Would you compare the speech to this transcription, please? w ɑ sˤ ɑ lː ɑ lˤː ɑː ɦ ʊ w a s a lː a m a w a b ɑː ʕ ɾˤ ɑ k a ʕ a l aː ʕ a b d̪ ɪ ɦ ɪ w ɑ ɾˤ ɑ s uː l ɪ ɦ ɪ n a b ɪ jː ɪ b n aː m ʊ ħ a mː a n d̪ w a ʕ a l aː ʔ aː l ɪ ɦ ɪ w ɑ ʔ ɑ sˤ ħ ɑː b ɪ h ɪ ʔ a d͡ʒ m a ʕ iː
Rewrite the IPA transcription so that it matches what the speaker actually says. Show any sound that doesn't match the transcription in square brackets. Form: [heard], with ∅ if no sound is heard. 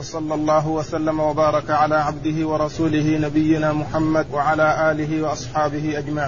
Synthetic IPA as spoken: w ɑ sˤ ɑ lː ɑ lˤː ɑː ɦ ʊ w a s a lː a m a w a b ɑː [∅] ɾˤ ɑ k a ʕ a l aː ʕ a b d̪ ɪ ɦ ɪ w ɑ ɾˤ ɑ s uː l ɪ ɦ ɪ n a b ɪ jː ɪ [∅] n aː m ʊ ħ a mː a [∅] d̪ w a ʕ a l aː ʔ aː l ɪ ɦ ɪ w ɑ ʔ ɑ sˤ ħ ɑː b ɪ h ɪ ʔ a d͡ʒ m a ʕ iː